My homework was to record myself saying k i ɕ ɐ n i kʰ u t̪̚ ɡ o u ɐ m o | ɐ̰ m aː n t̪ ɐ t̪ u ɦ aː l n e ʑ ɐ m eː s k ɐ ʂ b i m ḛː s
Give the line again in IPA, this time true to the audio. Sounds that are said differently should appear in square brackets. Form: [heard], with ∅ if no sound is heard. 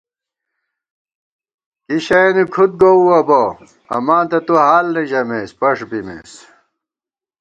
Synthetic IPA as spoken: k i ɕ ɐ n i kʰ u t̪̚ ɡ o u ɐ [b] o | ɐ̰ m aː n t̪ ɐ t̪ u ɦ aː l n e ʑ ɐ m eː s [p] ɐ ʂ b i m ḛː s